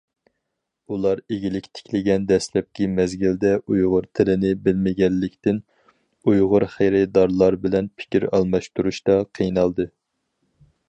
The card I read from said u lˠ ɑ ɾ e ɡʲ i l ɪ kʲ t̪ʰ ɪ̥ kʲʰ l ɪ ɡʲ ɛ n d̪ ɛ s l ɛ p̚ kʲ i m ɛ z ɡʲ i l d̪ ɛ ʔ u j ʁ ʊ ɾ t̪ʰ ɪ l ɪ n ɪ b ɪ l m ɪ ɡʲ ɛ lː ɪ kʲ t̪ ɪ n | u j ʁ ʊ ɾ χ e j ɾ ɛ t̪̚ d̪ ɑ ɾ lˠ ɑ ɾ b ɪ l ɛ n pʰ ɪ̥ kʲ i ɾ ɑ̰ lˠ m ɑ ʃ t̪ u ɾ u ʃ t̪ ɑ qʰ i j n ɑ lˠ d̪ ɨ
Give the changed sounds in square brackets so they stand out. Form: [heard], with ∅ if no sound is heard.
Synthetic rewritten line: u lˠ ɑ ɾ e ɡʲ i l ɪ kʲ t̪ʰ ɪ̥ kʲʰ l ɪ ɡʲ ɛ n d̪ ɛ s l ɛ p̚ kʲ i m ɛ z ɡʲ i l d̪ ɛ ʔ u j ʁ ʊ ɾ t̪ʰ ɪ l ɪ n ɪ b ɪ l m ɪ ɡʲ ɛ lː ɪ kʲ t̪ ɪ n | u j ʁ ʊ ɾ χ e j ɾ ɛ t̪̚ d̪ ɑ ɾ lˠ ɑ ɾ b ɪ l ɛ n pʰ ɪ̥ kʲ i ɾ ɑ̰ lˠ m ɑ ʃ t̪ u ɾ u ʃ t̪ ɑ qʰ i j n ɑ lˠ d̪ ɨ